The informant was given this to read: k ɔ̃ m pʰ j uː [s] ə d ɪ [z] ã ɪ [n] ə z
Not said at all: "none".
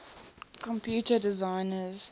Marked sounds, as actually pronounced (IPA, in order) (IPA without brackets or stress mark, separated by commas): t, z, n